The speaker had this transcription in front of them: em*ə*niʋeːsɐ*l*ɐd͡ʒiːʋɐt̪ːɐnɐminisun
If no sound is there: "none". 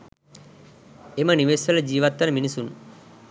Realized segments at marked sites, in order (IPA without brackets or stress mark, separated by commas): ɐ, l